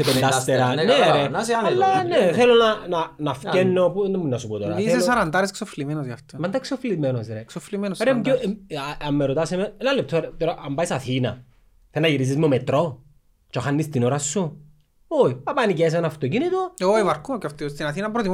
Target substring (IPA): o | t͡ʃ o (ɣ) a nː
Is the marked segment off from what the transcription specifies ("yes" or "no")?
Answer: yes